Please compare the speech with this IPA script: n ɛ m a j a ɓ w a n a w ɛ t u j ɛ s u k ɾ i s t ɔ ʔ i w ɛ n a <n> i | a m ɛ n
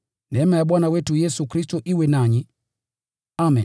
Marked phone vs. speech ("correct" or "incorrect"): incorrect